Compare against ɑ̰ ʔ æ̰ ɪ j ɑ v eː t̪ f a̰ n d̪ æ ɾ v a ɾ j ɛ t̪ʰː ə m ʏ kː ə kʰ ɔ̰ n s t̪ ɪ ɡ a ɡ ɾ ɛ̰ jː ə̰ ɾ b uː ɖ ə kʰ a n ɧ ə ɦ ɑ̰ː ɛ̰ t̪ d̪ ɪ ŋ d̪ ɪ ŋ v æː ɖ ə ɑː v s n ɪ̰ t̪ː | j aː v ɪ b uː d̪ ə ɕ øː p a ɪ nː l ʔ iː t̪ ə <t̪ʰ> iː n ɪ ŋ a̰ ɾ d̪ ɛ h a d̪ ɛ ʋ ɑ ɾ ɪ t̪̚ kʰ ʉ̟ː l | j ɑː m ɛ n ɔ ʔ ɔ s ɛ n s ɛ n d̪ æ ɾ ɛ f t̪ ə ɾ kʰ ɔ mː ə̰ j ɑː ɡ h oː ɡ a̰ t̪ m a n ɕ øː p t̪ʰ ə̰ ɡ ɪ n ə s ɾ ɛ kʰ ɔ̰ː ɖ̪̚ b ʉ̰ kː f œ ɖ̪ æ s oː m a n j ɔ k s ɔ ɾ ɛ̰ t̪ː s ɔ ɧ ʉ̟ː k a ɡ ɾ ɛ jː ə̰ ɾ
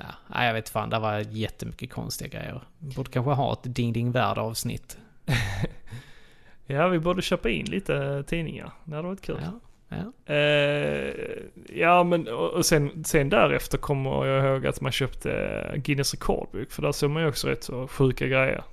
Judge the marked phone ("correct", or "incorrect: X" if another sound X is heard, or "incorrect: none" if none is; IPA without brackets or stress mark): correct